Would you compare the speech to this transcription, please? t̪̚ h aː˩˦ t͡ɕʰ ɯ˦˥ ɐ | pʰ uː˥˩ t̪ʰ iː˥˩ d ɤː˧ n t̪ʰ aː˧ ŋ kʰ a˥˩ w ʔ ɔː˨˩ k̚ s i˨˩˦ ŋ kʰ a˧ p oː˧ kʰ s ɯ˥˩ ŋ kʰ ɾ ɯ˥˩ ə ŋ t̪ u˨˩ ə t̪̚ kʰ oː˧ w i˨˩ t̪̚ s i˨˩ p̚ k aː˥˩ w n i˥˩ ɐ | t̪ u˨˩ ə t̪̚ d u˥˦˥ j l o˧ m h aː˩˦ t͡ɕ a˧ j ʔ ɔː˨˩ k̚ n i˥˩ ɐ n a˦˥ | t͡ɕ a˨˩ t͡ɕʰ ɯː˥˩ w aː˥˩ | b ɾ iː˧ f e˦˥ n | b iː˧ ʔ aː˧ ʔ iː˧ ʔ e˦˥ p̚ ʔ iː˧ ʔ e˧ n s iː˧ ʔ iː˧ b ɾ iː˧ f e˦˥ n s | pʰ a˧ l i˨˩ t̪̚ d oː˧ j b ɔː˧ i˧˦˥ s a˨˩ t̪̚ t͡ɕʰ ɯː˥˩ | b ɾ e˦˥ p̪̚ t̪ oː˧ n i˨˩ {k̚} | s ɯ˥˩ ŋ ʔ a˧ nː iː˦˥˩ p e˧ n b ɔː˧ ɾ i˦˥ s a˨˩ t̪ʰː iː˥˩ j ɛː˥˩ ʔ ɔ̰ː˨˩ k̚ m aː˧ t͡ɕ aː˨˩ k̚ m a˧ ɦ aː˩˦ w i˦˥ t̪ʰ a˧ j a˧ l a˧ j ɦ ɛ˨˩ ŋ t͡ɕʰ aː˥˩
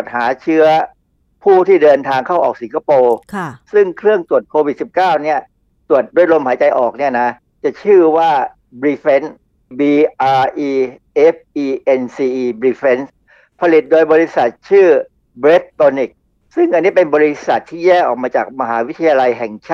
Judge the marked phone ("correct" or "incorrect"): correct